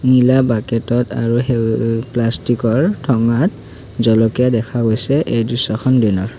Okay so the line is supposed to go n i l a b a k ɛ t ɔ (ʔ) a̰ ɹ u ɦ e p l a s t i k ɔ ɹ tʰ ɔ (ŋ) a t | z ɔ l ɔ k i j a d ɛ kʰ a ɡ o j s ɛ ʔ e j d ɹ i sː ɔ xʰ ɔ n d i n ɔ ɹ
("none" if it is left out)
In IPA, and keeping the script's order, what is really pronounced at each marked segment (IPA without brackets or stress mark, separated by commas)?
t, ŋ